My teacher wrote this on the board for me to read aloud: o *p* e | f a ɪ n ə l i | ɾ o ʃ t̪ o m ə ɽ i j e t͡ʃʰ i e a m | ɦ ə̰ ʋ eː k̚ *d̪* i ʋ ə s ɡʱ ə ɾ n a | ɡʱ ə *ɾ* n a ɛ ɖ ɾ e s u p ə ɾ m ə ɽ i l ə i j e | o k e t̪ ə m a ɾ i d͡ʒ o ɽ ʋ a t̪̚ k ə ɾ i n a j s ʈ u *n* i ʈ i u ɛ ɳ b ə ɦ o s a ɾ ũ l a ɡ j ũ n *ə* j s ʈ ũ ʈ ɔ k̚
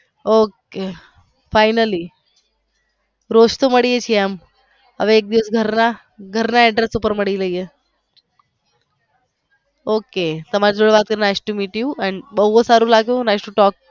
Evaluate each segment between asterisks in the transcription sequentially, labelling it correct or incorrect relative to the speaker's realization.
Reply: incorrect, correct, correct, incorrect, incorrect

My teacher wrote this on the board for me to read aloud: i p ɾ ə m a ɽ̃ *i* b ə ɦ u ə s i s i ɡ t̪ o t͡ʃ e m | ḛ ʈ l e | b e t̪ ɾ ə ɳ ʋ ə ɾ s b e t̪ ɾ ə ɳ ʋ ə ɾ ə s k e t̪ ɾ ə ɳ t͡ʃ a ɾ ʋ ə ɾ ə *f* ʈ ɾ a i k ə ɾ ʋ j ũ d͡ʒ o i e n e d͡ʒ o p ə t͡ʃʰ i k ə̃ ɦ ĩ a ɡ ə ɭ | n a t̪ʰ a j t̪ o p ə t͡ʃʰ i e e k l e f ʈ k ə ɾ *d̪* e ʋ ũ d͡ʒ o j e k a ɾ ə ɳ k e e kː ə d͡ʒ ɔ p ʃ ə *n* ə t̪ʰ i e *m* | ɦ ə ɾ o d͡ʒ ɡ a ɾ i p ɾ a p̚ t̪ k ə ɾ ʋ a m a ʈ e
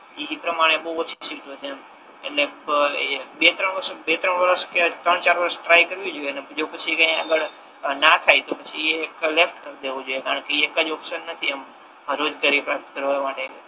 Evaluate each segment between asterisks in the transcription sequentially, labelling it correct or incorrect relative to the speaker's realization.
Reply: incorrect, incorrect, correct, incorrect, correct

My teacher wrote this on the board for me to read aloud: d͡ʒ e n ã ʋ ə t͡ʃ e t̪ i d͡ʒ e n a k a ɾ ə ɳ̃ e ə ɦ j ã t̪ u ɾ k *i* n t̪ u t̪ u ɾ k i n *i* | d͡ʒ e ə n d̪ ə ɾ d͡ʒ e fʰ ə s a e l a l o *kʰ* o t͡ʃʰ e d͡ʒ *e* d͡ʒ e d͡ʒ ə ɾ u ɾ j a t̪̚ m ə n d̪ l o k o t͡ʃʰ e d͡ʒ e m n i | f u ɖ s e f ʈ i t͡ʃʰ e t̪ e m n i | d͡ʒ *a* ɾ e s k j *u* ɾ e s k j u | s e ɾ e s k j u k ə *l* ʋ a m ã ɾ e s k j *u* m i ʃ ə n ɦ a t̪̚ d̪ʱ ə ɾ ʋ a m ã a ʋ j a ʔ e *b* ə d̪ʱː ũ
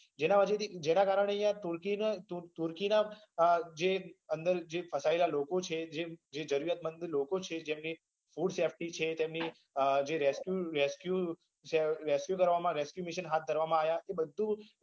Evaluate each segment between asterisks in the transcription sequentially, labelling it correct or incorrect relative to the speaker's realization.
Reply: correct, incorrect, incorrect, correct, incorrect, correct, incorrect, correct, correct

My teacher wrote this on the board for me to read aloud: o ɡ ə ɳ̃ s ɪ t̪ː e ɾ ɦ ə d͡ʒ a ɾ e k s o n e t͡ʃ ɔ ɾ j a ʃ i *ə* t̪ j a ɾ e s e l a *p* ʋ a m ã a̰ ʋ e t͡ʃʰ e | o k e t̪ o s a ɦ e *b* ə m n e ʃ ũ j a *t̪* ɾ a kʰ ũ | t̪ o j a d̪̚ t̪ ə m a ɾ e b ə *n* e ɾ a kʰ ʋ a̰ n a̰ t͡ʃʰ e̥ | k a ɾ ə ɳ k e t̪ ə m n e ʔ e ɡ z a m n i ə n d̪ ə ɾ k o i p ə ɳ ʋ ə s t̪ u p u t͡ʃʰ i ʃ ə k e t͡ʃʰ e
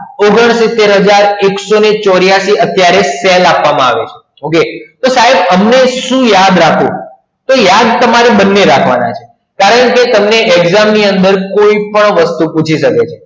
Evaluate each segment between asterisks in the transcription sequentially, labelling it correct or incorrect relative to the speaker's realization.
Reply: correct, correct, correct, incorrect, incorrect

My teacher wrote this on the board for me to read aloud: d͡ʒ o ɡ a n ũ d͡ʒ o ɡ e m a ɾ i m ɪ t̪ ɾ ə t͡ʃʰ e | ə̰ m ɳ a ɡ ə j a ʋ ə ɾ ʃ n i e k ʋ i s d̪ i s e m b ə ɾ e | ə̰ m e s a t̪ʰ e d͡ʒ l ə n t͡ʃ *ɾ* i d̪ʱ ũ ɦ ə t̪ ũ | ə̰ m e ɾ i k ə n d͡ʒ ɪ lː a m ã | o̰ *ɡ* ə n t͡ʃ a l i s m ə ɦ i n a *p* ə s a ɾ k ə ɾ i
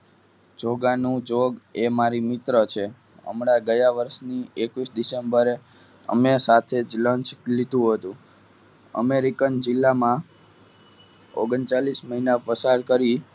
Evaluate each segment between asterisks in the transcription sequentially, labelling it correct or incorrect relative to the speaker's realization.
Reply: incorrect, correct, correct

